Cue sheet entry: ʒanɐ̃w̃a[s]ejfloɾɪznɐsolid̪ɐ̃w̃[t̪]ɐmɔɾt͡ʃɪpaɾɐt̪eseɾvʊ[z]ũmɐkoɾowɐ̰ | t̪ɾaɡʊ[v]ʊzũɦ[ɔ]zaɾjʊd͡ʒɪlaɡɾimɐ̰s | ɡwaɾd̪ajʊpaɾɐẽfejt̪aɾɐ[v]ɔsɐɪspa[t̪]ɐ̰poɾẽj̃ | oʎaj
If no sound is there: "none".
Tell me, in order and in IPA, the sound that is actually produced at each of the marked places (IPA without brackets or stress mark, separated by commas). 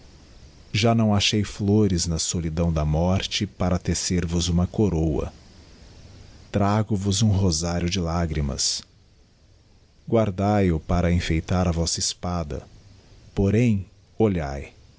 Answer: ʃ, d̪, z, v, o, v, d̪